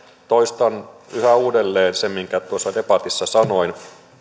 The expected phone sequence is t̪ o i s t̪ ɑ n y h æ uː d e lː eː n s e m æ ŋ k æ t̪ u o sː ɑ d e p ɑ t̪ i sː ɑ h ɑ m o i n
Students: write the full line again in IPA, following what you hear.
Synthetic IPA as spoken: t̪ o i s t̪ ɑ n y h æ uː d e lː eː n s e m i ŋ k æ t̪ u o sː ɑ d e p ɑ t̪ i sː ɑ s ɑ n o i n